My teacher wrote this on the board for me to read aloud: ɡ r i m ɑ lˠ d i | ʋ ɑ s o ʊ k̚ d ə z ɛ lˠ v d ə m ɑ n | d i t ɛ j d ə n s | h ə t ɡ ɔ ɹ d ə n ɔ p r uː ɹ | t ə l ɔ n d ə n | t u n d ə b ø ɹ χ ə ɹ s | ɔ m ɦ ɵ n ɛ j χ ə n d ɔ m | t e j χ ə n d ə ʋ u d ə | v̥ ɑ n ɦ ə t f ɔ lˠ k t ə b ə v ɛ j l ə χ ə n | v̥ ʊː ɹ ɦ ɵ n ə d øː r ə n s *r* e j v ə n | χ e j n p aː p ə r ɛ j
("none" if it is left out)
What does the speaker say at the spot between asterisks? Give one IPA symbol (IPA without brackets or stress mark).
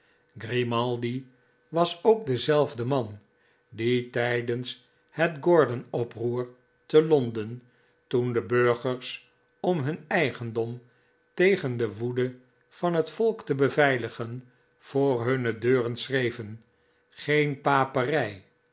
r